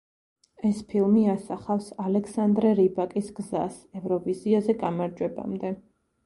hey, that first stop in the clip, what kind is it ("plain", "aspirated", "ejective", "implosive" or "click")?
aspirated